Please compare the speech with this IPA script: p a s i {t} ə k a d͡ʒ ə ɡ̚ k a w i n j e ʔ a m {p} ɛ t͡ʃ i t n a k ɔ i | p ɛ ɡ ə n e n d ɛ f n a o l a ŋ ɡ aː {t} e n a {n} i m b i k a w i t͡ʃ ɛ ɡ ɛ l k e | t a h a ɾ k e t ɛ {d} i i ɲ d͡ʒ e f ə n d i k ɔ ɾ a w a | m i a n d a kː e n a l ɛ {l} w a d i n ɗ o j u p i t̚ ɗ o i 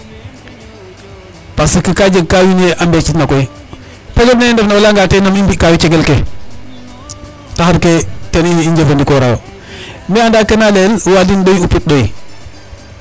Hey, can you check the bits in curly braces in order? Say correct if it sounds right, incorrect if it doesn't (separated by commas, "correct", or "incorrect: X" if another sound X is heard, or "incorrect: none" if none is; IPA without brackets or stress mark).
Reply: incorrect: k, incorrect: b, correct, incorrect: m, incorrect: n, correct